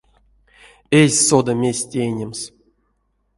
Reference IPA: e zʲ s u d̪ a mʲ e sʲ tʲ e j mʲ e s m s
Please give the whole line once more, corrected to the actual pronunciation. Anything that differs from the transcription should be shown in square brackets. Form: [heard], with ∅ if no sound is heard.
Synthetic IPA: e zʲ s [o] d̪ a mʲ e sʲ tʲ e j [nʲ] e [∅] m s

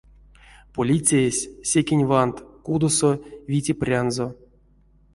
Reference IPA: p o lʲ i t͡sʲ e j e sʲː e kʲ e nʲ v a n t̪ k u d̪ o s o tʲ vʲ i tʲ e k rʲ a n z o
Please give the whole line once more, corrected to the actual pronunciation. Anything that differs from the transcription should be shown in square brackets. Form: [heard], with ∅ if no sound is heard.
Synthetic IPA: p o lʲ i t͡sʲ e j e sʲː e kʲ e nʲ v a n t̪ k u d̪ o s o [∅] vʲ i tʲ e [p] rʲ a n z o

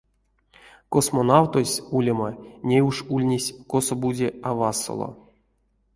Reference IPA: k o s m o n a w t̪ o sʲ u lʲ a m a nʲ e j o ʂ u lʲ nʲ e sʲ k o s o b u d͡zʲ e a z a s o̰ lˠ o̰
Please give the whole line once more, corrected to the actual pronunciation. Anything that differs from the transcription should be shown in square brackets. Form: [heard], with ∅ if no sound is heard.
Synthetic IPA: k o s m o n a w t̪ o sʲ u lʲ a m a nʲ e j [u] ʂ u lʲ nʲ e sʲ k o s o b u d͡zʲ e a [v] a s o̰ lˠ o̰

